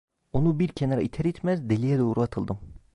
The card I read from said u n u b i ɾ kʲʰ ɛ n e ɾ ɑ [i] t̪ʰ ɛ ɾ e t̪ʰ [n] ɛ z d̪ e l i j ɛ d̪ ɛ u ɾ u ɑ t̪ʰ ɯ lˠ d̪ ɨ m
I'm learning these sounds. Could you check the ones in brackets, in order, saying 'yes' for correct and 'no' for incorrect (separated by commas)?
yes, no